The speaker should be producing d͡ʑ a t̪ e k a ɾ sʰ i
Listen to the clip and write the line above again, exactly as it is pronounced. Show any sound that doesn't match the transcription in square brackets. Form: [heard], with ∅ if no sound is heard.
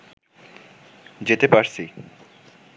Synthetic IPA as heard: d͡ʑ [e] t̪ e [p] a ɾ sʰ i

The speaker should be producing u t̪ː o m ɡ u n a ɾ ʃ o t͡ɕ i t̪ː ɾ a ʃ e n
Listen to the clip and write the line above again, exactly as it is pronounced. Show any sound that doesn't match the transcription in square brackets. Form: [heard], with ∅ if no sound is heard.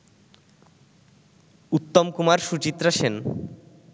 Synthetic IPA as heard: u t̪ː o m [k] u [m] a ɾ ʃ [u] t͡ɕ i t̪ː ɾ a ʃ e n

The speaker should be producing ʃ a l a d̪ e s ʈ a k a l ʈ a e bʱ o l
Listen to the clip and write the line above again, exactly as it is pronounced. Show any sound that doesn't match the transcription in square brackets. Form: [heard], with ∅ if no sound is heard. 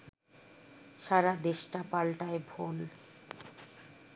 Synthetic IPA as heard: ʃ a [ɾ] a d̪ e [ʃ] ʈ a [p] a l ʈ a e bʱ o l

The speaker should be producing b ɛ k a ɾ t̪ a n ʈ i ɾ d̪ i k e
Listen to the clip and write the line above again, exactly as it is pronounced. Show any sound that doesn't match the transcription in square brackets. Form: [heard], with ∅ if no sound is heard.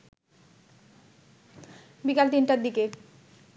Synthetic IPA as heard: b [i] k a [l] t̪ [i] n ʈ [a] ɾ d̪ i k e

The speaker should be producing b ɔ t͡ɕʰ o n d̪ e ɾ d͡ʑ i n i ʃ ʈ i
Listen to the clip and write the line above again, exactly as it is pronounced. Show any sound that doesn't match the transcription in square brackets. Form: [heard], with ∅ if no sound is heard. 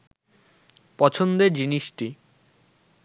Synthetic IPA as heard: [p] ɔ t͡ɕʰ o n d̪ e ɾ d͡ʑ i n i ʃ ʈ i

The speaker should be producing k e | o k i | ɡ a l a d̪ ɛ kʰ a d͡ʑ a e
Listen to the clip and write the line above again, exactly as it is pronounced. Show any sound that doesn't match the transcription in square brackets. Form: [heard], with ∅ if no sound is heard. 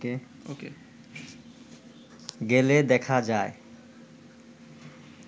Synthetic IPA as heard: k e | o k [e] | ɡ [e] l [e] d̪ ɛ kʰ a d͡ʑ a e

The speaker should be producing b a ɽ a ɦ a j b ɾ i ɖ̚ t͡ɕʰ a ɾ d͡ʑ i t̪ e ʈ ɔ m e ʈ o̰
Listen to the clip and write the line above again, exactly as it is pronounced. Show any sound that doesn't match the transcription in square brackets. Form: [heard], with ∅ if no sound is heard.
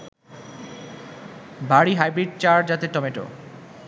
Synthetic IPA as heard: b a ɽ [i] ɦ a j b ɾ i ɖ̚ [t͡ɕ] a ɾ d͡ʑ [a] t̪ e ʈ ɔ m e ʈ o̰

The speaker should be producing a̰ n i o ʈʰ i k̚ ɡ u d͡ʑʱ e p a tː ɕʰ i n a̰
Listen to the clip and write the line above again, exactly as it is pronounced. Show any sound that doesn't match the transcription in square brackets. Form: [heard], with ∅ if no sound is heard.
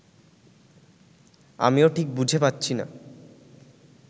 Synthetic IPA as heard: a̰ [m] i o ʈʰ i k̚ [b] u d͡ʑʱ e p a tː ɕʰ i n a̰

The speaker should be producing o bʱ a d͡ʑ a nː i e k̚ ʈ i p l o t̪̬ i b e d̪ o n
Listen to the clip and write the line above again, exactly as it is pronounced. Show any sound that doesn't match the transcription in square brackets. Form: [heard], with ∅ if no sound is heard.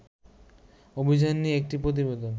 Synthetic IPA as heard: o bʱ [i] d͡ʑ a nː i e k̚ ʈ i p [ɾ] o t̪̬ i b e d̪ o n

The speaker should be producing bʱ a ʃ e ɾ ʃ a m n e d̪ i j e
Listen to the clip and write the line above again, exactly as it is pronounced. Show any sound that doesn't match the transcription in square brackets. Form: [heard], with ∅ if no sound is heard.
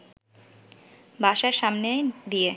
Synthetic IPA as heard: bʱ a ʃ [a] ɾ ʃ a m n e d̪ i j e

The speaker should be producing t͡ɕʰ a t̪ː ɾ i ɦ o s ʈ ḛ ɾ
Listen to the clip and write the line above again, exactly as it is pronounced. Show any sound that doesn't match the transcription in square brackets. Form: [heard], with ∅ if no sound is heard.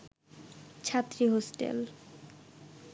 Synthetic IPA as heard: t͡ɕʰ a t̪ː ɾ i ɦ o s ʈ ḛ [l]

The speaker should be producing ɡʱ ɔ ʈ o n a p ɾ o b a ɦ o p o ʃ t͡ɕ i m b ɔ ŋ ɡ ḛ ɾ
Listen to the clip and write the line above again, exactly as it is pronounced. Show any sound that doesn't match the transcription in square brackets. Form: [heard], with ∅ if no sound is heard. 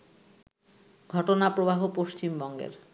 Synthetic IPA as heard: ɡʱ ɔ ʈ o n a p ɾ o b a ɦ o p o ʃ t͡ɕ i m b ɔ ŋ ɡ ḛ ɾ

